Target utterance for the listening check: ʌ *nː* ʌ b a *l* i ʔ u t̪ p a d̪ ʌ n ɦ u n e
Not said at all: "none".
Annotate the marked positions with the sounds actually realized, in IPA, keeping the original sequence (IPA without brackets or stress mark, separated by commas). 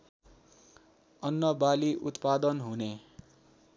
nː, l